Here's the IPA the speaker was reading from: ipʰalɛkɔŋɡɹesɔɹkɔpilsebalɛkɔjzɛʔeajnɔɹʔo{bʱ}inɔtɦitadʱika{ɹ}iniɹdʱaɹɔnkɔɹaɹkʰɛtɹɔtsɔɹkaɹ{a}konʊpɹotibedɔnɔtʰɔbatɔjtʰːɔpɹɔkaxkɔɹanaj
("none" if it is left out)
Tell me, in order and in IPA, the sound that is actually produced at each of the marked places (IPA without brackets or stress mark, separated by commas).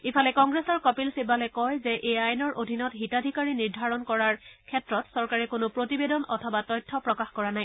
dʱ, ɹ, ɛ